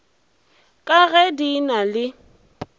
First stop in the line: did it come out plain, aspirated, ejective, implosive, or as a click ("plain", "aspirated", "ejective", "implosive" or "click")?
ejective